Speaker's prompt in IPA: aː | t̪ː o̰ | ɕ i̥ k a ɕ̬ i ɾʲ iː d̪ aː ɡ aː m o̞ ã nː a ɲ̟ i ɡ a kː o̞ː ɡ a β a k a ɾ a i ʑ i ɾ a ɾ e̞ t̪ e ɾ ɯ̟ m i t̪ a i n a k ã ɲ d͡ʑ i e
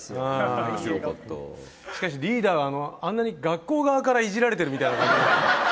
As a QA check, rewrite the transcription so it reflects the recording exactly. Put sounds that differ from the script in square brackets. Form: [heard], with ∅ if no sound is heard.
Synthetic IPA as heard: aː | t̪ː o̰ | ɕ i̥ k a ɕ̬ i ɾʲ iː d̪ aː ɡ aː [n] o̞ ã nː a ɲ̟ i ɡ a kː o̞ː ɡ a β a k a ɾ a i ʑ i ɾ a ɾ e̞ t̪ e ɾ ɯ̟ m i t̪ a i n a k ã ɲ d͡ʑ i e